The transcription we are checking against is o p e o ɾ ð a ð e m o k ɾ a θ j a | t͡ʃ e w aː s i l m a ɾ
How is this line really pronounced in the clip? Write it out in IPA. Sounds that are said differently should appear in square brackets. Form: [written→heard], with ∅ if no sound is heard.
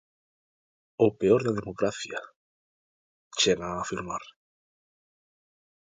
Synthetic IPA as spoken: o p e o ɾ ð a ð e m o k ɾ a θ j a | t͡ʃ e [w→ɣ] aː [s→f] i l m a ɾ